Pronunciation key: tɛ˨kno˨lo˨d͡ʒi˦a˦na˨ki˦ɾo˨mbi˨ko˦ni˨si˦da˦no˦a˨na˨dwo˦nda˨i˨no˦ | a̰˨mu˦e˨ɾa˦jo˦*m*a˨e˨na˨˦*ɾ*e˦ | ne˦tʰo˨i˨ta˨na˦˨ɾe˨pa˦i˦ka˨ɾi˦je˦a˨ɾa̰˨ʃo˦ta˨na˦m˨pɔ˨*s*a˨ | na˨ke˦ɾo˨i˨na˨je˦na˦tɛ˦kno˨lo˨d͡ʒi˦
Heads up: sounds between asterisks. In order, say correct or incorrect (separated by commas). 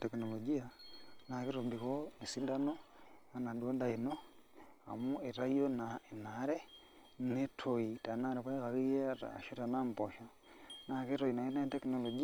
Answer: incorrect, correct, incorrect